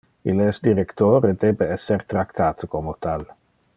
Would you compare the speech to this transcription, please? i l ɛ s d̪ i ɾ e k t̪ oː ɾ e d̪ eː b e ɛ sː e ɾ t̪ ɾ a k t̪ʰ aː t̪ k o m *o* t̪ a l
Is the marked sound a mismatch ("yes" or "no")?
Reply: no